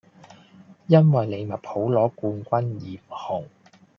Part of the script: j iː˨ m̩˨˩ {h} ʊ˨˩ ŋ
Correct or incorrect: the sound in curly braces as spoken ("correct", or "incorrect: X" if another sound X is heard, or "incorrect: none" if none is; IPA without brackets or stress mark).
correct